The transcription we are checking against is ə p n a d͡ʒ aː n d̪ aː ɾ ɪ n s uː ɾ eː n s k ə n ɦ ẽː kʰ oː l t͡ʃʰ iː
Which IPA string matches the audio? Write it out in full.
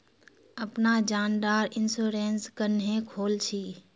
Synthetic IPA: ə p n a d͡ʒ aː n d̪ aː ɾ ɪ n s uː ɾ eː n s k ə n ɦ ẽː kʰ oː l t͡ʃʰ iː

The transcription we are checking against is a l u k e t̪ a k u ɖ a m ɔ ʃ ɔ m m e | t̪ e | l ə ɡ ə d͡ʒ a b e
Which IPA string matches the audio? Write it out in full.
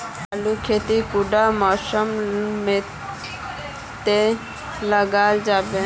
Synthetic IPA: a l u kʰ e t̪ i k u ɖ a m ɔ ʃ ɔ m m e | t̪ e | l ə ɡ a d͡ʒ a b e

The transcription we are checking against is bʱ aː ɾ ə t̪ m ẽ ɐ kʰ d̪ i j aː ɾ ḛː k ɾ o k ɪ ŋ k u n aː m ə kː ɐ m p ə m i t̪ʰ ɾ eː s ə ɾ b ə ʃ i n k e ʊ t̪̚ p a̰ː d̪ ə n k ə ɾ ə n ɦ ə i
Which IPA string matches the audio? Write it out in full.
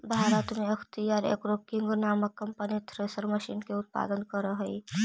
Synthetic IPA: bʱ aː ɾ ə t̪ m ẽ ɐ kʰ t̪ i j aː ɾ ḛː k ɾ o k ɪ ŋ ɡ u n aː m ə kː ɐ m p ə n i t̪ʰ ɾ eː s ə ɾ m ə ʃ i n k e ʊ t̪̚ p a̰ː d̪ ə n k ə ɾ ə ɦ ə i

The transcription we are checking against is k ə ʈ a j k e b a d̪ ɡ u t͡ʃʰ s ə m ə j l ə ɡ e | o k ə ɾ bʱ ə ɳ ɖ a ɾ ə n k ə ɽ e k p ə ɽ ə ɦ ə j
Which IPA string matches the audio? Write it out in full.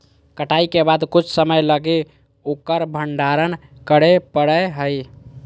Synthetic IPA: k ə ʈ a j k e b a d̪ k u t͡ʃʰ s ə m ə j l ə ɡ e | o k ə ɾ bʱ ə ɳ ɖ a ɾ ə n k ə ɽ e p ə ɽ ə ɦ ə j

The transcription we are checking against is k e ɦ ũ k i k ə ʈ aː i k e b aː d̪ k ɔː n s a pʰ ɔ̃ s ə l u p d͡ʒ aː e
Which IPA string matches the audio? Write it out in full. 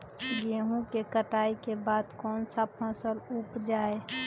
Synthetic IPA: ɡ e ɦ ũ k e k ə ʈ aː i k e b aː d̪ k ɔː n s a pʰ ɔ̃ s ə l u p d͡ʒ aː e

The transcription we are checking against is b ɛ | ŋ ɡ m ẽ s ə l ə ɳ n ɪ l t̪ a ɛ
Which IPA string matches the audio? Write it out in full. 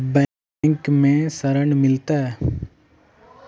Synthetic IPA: b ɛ | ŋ k m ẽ s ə ɾ ə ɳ m ɪ l t̪ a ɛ

